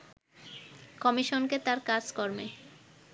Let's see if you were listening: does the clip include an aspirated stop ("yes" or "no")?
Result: no